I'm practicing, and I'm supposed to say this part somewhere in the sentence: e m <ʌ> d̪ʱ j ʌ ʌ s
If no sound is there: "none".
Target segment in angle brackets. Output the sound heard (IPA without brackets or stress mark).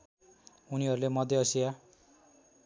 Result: ʌ